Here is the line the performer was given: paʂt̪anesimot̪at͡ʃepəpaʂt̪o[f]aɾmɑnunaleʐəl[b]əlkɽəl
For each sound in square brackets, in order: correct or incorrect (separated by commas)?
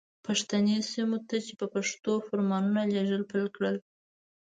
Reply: correct, incorrect